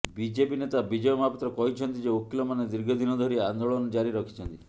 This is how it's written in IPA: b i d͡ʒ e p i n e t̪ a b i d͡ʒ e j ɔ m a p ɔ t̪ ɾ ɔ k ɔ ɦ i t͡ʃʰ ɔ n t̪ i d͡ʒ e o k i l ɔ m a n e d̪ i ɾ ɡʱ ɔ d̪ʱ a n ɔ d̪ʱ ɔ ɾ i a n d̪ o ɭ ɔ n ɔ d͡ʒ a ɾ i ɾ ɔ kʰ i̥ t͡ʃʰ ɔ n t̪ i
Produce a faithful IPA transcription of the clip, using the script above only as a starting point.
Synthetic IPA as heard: b i d͡ʒ e p i n e t̪ a b i d͡ʒ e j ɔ m a p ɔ t̪ ɾ ɔ k ɔ ɦ i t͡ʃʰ ɔ n t̪ i d͡ʒ e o k i l ɔ m a n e d̪ i ɾ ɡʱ ɔ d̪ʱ i n ɔ d̪ʱ ɔ ɾ i a n d̪ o ɭ ɔ n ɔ d͡ʒ a ɾ i ɾ ɔ kʰ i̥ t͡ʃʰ ɔ n t̪ i